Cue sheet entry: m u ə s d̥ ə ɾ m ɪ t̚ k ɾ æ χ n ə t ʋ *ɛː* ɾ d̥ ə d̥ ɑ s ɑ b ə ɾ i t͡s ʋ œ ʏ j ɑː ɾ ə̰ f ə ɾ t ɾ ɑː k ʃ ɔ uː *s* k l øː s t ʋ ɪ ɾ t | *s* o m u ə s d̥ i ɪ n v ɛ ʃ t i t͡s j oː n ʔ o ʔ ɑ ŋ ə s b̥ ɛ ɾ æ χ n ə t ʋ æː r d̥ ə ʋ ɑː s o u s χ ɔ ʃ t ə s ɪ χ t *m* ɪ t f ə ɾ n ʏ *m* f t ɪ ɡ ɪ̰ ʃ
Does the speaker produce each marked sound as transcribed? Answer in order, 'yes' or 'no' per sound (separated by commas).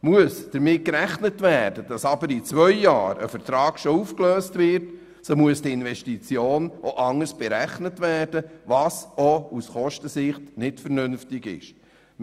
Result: no, no, yes, no, no